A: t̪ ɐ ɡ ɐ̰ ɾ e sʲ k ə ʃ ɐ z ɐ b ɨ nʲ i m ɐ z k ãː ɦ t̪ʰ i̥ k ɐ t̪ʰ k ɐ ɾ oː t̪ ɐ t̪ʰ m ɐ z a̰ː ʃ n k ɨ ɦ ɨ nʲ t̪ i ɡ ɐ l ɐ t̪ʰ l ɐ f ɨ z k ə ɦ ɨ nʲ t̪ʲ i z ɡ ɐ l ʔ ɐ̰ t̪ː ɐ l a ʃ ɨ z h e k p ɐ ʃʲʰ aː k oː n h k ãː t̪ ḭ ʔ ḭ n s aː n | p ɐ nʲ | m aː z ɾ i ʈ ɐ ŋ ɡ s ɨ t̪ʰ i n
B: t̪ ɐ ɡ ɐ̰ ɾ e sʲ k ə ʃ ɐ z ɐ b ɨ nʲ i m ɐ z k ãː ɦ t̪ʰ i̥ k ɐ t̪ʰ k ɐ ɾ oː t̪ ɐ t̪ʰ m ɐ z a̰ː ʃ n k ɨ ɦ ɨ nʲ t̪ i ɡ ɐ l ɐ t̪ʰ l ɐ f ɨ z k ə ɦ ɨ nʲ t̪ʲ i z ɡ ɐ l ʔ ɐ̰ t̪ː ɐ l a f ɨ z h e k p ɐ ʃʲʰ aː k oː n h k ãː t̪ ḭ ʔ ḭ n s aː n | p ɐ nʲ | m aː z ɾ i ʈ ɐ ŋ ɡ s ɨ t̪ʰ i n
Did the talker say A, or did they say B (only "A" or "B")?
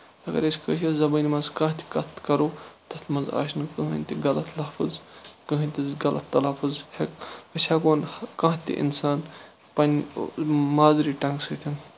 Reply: B